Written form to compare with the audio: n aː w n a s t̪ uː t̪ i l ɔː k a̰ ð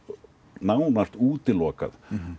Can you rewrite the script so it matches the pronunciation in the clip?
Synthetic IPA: n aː w n a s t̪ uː t̪ ɪ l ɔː k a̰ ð